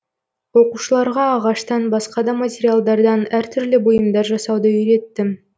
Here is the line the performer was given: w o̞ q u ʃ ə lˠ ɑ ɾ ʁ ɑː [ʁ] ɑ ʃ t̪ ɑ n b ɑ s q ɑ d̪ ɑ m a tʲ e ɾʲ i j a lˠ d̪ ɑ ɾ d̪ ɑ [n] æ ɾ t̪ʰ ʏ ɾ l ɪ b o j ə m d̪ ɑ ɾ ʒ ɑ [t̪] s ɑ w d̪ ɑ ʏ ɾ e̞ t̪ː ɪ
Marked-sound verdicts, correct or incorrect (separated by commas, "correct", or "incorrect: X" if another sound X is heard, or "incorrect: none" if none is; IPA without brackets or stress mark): correct, correct, incorrect: none